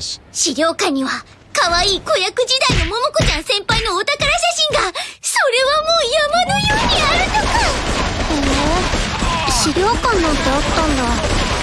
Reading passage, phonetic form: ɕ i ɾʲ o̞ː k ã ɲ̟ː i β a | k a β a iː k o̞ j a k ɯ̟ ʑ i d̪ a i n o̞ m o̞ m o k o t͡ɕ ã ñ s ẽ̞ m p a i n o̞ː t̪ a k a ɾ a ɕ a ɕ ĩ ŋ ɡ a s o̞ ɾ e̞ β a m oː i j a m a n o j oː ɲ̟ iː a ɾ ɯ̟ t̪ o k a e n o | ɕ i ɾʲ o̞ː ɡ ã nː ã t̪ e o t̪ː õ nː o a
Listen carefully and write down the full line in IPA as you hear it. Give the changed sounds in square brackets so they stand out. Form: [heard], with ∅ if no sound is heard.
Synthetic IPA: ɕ i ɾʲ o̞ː k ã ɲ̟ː i β a | k a β a iː k o̞ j a k ɯ̟ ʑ i d̪ a i n o̞ m o̞ m o k o t͡ɕ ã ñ s ẽ̞ m p a i n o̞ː t̪ a k a ɾ a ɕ a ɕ ĩ ŋ ɡ a s o̞ ɾ e̞ β a m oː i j a m a n o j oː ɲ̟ [i] a ɾ ɯ̟ t̪ o k a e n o | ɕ i ɾʲ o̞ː [k] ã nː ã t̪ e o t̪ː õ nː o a